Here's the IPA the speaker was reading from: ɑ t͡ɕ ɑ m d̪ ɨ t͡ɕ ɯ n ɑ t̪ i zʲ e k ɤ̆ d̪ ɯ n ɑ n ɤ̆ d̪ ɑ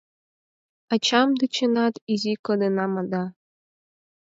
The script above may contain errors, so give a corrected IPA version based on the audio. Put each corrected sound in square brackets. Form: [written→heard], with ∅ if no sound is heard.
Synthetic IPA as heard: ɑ t͡ɕ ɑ m d̪ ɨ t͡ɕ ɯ n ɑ t̪ i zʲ [e→i] k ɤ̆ d̪ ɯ n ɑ [n→m] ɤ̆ d̪ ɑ